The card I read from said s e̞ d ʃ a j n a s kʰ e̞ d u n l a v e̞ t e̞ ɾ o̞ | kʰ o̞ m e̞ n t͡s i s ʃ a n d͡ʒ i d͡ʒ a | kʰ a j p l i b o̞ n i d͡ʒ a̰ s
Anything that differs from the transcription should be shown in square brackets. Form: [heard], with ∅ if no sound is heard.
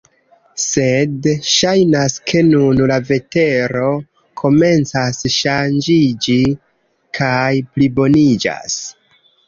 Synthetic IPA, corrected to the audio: s e̞ d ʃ a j n a s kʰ e̞ [n] u n l a v e̞ t e̞ ɾ o̞ | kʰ o̞ m e̞ n t͡s [a] s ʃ a n d͡ʒ i d͡ʒ [i] | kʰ a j p l i b o̞ n i d͡ʒ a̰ s